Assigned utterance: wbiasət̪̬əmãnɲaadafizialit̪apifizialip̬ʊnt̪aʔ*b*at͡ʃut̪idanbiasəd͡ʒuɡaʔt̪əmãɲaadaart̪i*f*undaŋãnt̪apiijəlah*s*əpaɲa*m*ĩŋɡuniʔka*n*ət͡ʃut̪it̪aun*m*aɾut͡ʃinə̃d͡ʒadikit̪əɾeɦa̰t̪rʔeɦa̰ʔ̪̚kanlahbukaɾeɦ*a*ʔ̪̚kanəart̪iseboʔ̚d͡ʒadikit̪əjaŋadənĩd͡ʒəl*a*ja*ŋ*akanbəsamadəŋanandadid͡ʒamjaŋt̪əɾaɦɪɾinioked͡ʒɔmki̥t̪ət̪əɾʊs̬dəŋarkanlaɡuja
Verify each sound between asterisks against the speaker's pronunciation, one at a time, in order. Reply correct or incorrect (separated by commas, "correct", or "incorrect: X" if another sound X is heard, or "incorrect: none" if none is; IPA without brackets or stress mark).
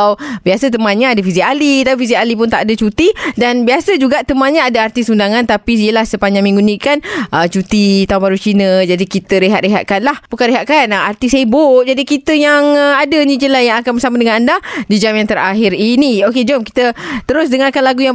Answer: incorrect: d, incorrect: s, correct, correct, correct, incorrect: b, correct, correct, correct